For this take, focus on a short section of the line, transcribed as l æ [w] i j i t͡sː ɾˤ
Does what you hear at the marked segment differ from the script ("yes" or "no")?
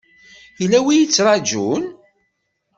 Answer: no